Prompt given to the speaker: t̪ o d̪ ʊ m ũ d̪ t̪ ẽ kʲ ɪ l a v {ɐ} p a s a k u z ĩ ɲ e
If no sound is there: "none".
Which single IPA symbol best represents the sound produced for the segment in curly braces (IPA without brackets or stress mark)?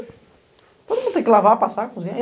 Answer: a